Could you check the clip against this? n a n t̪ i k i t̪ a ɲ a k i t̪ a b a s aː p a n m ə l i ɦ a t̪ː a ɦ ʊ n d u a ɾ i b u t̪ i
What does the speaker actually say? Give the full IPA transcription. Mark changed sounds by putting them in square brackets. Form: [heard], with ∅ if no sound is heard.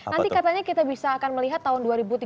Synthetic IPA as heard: n a n t̪ i k [a] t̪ a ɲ a k i t̪ a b [i] s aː [k] a n m ə l i ɦ a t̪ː a ɦ ʊ n d u a ɾ i b u t̪ i